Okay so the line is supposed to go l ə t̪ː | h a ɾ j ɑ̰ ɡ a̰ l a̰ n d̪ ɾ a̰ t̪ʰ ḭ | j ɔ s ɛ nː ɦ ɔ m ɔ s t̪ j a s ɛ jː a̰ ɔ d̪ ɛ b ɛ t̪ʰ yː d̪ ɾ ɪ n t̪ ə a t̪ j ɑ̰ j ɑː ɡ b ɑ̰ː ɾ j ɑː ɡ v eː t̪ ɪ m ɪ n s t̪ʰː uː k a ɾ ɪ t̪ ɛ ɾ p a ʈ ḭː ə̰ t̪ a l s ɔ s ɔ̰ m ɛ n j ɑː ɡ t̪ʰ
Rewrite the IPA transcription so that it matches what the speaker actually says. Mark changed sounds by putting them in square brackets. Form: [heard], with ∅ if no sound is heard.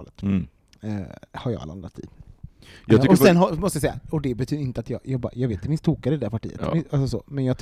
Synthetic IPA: l ə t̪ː | h a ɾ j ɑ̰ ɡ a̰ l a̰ n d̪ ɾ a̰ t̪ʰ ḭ | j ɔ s ɛ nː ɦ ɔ m ɔ s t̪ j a s ɛ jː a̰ ɔ d̪ ɛ b ɛ t̪ʰ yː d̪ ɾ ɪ n t̪ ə a t̪ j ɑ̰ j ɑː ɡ b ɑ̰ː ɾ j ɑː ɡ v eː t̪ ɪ m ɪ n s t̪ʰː uː k a ɾ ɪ [d̪] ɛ ɾ p a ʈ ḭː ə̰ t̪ a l s ɔ s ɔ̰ m ɛ n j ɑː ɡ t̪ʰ